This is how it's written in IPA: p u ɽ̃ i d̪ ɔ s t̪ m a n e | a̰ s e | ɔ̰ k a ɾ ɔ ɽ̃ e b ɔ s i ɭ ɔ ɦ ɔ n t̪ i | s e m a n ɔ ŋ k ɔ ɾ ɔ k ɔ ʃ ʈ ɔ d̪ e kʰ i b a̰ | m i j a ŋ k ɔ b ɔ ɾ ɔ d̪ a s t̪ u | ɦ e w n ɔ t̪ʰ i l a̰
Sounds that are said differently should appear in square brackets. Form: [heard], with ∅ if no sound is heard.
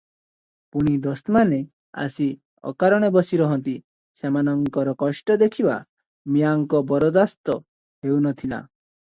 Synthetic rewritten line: p u ɽ̃ i d̪ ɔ s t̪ m a n e | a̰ s [i] | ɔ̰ k a ɾ ɔ ɽ̃ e b ɔ s i [ɾ] ɔ ɦ ɔ n t̪ i | s e m a n ɔ ŋ k ɔ ɾ ɔ k ɔ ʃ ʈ ɔ d̪ e kʰ i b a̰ | m i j a ŋ k ɔ b ɔ ɾ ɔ d̪ a s t̪ [ɔ] | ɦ e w n ɔ t̪ʰ i l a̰

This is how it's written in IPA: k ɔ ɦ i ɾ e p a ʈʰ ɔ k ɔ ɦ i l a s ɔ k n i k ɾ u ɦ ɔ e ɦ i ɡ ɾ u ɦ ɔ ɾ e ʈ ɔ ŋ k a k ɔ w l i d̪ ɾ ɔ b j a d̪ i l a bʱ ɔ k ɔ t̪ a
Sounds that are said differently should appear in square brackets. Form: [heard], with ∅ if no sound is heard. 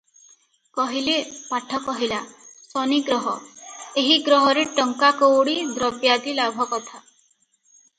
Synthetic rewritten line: k ɔ ɦ i [l] e p a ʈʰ ɔ k ɔ ɦ i l a s ɔ [∅] n i [ɡ] ɾ [ɔ] ɦ ɔ e ɦ i ɡ ɾ [ɔ] ɦ ɔ ɾ e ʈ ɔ ŋ k a k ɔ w [ɽ] i d̪ ɾ ɔ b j a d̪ i l a bʱ ɔ k ɔ [t̪ʰ] a

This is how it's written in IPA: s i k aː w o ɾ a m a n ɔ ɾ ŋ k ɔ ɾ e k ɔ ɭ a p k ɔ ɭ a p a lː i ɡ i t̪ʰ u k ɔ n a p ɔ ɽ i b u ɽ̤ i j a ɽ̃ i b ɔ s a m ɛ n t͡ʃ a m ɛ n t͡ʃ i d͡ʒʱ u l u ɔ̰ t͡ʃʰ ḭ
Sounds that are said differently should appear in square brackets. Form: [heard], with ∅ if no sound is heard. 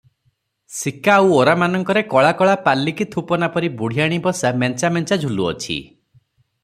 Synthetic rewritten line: s i k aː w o ɾ a m a n ɔ [∅] ŋ k ɔ ɾ e k ɔ ɭ a [∅] k ɔ ɭ a p a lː i [k] i t̪ʰ u [p] ɔ n a p ɔ [ɾ] i b u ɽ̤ i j a ɽ̃ i b ɔ s a m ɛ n t͡ʃ a m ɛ n t͡ʃ [a] d͡ʒʱ u l u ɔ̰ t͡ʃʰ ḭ

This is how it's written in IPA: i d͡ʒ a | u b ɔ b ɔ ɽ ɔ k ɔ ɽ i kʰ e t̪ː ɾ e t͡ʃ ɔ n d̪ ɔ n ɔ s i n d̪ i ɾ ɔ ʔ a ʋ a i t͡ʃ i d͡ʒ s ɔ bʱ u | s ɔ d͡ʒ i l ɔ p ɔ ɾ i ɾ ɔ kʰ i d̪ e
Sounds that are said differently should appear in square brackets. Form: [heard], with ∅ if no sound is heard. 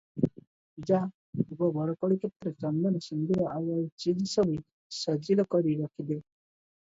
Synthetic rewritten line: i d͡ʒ a | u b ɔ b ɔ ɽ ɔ k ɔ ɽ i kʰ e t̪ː ɾ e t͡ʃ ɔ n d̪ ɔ n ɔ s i n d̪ i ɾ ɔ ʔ a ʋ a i t͡ʃ i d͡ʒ s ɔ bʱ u | s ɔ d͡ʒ i l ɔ [k] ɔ ɾ i ɾ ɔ kʰ i d̪ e

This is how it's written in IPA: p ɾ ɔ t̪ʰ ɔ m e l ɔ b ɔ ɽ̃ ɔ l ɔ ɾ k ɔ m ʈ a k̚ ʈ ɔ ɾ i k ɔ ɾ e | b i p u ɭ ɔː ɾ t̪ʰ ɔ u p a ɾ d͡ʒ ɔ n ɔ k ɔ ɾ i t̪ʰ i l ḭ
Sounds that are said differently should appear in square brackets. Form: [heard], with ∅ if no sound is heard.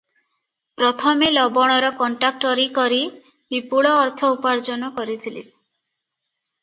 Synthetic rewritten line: p ɾ ɔ t̪ʰ ɔ m e l ɔ b ɔ ɽ̃ ɔ [ɾ] ɔ [∅] k ɔ [ɳ] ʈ a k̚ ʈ ɔ ɾ i k ɔ ɾ [i] | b i p u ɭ ɔː ɾ t̪ʰ ɔ u p a ɾ d͡ʒ ɔ n ɔ k ɔ ɾ i t̪ʰ i l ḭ

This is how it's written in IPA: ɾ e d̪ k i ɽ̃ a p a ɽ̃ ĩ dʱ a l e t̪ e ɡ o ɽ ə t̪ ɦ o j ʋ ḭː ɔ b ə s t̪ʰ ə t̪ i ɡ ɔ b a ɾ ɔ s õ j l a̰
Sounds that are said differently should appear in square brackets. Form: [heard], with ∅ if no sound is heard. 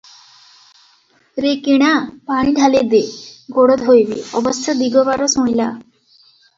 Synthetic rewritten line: ɾ e [∅] k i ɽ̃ a p a ɽ̃ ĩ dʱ a l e [d̪] e ɡ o ɽ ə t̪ ɦ o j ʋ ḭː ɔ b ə s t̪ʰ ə [d̪] i ɡ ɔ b a ɾ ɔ s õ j l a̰

